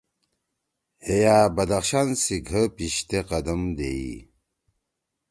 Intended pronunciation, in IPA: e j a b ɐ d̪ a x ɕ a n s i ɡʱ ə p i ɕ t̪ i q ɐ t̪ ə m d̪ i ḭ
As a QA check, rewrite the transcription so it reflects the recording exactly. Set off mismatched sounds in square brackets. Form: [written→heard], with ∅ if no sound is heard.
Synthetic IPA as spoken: e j a b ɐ d̪ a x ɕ a n s i ɡʱ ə p i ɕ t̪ [i→e] q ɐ [t̪→d̪] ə m d̪ [i→e] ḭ